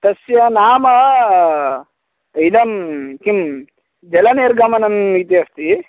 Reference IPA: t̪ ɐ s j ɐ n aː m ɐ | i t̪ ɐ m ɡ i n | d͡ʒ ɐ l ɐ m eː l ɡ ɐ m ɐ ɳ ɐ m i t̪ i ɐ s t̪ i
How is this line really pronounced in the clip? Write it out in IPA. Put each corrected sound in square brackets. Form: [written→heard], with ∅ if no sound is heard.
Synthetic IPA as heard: t̪ ɐ s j ɐ n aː m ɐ | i [t̪→d̪] ɐ m [ɡ→k] i [n→m] | d͡ʒ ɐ l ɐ [m→n] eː [l→ɾ] ɡ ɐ m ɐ [ɳ→n] ɐ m i t̪ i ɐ s t̪ i